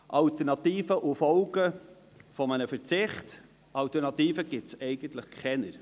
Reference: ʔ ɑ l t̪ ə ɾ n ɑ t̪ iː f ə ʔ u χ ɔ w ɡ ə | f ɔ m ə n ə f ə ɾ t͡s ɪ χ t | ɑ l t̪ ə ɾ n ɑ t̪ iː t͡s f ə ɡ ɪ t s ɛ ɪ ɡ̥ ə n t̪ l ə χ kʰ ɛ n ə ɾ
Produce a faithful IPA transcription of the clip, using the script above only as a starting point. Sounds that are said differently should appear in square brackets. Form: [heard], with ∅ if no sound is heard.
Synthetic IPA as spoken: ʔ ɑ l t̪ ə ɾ n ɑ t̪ iː f ə ʔ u [f] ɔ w ɡ ə | f ɔ m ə n ə f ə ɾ t͡s ɪ χ t | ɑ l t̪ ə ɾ n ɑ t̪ iː [∅] f ə ɡ ɪ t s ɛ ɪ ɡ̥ ə n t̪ l ə χ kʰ ɛ n ə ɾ